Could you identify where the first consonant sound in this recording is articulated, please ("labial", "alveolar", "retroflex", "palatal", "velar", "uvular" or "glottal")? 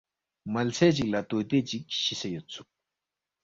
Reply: labial